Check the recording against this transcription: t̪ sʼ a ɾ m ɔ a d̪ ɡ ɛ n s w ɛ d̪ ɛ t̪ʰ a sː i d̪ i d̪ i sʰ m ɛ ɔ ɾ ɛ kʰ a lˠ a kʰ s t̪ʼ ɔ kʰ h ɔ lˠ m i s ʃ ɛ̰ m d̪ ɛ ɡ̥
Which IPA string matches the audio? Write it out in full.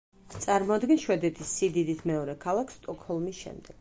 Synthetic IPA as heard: t̪ sʼ a ɾ m ɔ a d̪ ɡ ɛ n ʃ w ɛ d̪ ɛ t̪ʰ i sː i d̪ i d̪ i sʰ m ɛ ɔ ɾ ɛ kʰ a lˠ a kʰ s t̪ʼ ɔ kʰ h ɔ lˠ m i s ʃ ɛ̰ m d̪ ɛ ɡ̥